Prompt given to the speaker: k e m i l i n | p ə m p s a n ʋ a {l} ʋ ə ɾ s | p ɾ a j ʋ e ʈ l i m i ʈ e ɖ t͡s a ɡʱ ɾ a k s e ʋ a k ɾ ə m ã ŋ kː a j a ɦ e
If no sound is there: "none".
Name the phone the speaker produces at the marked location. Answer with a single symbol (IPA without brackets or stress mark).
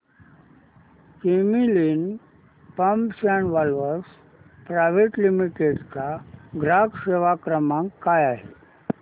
l